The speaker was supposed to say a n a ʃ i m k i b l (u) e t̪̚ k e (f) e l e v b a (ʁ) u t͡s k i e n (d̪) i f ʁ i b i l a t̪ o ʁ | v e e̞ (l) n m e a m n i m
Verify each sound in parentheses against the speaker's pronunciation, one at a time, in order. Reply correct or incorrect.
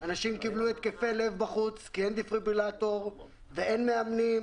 correct, correct, incorrect: χ, correct, incorrect: none

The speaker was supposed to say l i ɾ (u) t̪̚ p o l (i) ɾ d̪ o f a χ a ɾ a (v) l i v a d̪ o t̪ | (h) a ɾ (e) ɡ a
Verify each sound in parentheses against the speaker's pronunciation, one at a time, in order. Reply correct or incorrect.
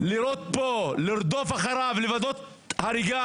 incorrect: o, correct, correct, correct, incorrect: i

